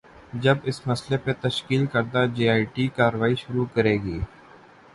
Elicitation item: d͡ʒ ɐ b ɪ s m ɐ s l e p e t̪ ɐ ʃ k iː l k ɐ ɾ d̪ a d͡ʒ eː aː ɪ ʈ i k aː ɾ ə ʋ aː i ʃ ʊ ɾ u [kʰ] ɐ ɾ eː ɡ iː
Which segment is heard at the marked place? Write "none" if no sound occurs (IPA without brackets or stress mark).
k